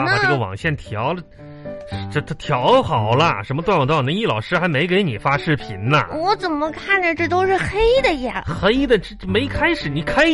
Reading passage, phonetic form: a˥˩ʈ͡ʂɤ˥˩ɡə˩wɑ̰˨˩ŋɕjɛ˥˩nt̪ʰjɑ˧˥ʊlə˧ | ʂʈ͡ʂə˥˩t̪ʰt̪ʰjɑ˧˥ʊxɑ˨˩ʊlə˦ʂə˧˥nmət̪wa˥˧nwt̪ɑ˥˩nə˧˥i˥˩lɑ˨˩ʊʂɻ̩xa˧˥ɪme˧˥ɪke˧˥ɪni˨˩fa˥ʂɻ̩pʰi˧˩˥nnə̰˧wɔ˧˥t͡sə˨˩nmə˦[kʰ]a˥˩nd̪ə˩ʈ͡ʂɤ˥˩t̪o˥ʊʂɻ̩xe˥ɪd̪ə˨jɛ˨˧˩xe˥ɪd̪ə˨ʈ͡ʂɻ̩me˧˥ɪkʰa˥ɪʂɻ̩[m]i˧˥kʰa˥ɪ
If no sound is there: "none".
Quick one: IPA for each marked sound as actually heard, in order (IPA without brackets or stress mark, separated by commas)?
kʰ, n